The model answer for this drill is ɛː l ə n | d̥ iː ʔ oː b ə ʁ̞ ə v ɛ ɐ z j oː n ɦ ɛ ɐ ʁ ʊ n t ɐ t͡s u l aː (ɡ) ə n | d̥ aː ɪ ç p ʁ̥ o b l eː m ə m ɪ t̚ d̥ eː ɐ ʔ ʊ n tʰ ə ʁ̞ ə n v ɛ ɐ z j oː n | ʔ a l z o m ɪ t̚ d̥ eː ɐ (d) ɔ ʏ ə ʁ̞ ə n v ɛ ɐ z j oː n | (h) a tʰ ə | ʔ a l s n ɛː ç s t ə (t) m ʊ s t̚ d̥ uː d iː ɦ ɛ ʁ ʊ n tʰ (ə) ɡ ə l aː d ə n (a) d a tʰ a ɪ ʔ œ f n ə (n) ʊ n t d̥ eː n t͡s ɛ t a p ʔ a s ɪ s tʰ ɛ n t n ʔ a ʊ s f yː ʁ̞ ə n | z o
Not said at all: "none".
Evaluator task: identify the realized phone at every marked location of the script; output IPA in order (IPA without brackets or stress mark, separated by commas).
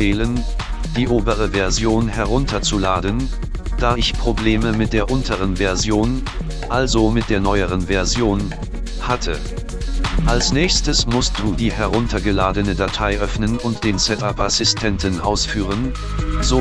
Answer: d, n, h, s, ɐ, ə, n